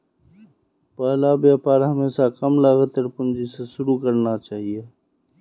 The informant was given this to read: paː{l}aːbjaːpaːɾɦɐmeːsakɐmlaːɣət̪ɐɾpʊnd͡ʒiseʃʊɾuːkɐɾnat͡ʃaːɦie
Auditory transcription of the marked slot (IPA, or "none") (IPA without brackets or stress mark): l